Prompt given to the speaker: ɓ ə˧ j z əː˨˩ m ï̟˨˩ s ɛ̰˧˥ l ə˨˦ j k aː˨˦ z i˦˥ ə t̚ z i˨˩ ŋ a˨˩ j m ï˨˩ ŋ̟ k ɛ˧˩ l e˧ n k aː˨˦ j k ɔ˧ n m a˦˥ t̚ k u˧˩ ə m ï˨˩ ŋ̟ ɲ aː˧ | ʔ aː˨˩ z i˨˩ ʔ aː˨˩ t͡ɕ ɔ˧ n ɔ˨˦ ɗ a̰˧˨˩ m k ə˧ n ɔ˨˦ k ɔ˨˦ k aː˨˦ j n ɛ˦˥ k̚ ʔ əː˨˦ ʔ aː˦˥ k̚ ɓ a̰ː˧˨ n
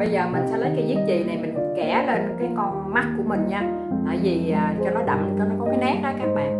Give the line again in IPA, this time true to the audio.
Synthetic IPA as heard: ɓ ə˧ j z əː˨˩ m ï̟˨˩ s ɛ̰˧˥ l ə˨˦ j k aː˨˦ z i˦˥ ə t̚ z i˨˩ n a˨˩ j m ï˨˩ ŋ̟ k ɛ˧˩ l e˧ n k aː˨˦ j k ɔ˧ n m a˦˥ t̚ k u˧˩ ə m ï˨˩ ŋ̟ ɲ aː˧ | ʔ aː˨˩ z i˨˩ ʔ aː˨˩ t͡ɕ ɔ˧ n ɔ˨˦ ɗ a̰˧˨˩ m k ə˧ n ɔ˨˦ k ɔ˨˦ k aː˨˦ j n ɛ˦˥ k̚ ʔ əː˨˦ k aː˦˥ k̚ ɓ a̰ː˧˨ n

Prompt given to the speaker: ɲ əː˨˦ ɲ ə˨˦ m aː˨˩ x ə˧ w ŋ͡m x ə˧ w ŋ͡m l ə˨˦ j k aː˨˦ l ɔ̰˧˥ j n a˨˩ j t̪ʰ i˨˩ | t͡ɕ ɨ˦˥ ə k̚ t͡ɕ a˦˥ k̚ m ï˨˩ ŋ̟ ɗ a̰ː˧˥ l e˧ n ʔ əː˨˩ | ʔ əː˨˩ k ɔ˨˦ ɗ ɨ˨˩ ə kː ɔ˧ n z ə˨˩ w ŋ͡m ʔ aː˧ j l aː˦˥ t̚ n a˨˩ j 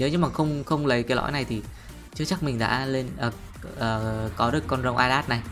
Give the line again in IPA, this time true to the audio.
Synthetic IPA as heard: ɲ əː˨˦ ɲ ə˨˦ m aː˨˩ x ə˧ w ŋ͡m x ə˧ w ŋ͡m l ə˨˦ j k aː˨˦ l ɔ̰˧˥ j n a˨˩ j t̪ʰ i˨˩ | t͡ɕ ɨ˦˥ ə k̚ t͡ɕ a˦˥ k̚ m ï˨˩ ŋ̟ ɗ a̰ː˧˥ l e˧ n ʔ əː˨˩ | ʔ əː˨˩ k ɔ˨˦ ɗ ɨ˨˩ ə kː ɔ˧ n z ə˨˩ w ŋ͡m ʔ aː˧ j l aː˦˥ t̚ n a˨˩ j

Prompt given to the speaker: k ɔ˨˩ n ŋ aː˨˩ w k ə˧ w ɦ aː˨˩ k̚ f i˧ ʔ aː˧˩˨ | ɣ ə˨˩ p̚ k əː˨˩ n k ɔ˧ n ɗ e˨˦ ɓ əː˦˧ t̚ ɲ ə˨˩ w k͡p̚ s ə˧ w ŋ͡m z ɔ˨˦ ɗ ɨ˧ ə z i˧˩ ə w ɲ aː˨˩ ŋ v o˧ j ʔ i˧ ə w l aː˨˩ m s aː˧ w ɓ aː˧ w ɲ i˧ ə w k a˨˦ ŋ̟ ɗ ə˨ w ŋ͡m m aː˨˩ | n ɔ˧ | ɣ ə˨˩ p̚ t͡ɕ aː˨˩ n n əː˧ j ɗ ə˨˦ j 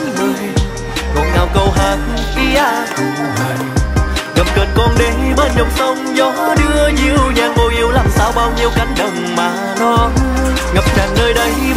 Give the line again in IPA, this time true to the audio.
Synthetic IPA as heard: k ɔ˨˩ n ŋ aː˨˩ w k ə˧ w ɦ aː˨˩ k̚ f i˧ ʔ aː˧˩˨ | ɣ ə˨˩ p̚ k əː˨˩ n k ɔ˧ n ɗ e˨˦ ɓ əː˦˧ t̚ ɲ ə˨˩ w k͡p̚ s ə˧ w ŋ͡m z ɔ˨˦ ɗ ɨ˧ ə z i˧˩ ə w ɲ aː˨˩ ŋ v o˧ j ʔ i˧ ə w l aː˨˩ m s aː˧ w ɓ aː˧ w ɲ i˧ ə w k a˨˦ ŋ̟ ɗ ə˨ w ŋ͡m m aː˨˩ | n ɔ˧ | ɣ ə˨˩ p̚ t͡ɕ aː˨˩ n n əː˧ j ɗ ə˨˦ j

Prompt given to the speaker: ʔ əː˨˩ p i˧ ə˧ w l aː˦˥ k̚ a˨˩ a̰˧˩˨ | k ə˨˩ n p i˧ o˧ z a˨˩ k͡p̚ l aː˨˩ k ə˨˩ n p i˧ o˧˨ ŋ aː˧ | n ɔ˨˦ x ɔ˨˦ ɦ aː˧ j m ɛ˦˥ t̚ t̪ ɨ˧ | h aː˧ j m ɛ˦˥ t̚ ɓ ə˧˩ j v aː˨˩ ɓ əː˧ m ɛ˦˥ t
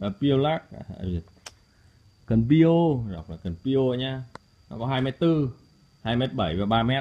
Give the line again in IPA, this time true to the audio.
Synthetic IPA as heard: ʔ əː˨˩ p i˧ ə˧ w l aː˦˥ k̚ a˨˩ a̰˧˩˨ | k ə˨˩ n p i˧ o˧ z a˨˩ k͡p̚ l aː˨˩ k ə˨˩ n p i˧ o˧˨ ɲ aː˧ | n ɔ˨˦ k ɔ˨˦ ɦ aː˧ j m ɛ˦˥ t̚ t̪ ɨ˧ | h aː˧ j m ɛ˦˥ t̚ ɓ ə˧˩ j v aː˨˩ ɓ aː˧ m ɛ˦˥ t

